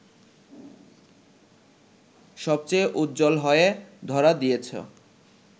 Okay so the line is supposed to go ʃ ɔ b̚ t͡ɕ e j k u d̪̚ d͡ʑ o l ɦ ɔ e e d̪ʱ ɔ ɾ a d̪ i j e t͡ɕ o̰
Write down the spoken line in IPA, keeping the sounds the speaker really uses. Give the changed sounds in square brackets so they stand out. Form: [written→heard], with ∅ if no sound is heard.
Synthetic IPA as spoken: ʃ ɔ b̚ t͡ɕ e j [k→ʔ] u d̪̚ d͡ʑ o l ɦ ɔ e e d̪ʱ ɔ ɾ a d̪ i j e [t͡ɕ→t͡ɕʰ] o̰